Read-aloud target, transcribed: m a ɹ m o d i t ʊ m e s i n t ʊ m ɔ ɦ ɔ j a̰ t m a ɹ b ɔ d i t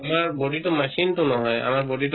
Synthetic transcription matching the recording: m a ɹ b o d i t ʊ m a s i n t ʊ n ɔ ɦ ɔ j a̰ m a ɹ b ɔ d i t